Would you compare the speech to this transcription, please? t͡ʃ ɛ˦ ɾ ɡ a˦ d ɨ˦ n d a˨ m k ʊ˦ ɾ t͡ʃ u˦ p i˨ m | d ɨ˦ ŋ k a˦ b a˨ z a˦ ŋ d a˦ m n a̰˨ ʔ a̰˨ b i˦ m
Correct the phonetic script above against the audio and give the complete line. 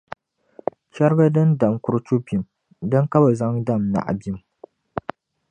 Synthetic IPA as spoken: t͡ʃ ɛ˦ ɾ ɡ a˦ d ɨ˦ n d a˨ m k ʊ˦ ɾ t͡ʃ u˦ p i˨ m | d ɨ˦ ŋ k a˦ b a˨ z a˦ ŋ d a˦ m n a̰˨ ʔ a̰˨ b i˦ m